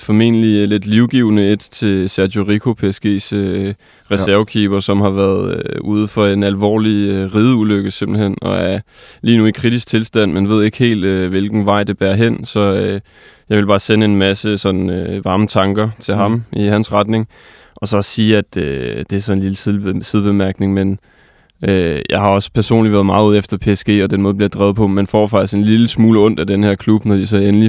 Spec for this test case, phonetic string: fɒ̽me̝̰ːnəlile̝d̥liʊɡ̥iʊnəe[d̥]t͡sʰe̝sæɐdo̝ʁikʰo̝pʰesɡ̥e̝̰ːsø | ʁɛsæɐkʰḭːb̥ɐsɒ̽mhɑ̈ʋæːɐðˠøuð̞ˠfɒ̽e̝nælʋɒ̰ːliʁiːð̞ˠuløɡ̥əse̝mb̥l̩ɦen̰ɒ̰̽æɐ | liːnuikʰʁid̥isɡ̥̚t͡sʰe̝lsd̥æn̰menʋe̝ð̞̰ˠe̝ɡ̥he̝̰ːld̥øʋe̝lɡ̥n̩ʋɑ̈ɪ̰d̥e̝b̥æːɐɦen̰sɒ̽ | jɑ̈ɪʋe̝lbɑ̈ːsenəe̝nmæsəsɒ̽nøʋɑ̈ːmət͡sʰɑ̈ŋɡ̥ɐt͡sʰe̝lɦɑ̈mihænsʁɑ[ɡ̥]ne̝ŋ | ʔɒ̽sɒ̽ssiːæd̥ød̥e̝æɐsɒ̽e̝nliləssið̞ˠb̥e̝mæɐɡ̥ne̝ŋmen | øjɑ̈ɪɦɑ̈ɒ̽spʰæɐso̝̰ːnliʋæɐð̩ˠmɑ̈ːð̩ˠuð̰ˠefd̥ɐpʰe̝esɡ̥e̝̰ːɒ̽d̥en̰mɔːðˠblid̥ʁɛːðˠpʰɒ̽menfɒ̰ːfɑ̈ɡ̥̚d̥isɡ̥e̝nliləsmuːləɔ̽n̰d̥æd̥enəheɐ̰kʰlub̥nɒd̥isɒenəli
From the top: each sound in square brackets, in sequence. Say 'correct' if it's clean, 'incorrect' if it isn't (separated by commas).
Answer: correct, incorrect